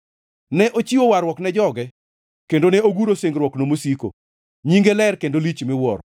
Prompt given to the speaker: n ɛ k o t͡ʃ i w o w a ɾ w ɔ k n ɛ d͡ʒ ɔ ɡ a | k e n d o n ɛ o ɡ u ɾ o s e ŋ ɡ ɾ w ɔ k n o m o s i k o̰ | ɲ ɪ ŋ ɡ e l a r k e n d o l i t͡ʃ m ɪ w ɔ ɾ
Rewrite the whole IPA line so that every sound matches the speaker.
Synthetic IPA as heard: n ɛ ʔ o t͡ʃ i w o w a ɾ w ɔ k n ɛ d͡ʒ ɔ ɡ ɛ | k e n d o n ɛ o ɡ u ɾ o s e ŋ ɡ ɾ w ɔ k n o m o s i k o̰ | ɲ i ŋ ɡ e l ɛ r k e n d o l i t͡ʃ m ɪ w ɔ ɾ